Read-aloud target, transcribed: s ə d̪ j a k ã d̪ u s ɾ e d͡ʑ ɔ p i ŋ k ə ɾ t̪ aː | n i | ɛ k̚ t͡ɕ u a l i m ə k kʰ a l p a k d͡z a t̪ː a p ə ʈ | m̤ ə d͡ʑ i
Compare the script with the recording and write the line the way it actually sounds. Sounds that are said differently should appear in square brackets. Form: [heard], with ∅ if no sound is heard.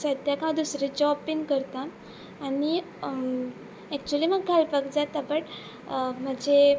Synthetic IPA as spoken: s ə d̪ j a k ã d̪ u s ɾ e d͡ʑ ɔ p i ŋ k ə ɾ t̪ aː | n i | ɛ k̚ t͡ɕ u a l i m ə [ɡ] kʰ a l p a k d͡z a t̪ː a p ə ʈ | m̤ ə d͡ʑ [e]